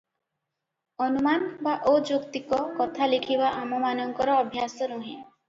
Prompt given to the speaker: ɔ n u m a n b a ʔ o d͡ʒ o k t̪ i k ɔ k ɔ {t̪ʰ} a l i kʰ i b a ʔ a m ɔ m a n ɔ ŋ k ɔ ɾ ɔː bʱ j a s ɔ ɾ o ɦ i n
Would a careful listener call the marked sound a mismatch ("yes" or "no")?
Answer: no